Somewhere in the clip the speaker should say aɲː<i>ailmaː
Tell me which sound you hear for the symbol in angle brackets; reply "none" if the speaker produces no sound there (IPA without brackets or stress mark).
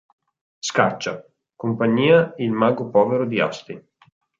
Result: iː